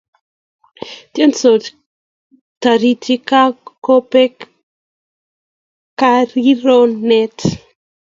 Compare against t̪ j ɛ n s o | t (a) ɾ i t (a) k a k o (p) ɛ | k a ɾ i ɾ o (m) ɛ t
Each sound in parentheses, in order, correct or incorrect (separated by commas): correct, incorrect, correct, incorrect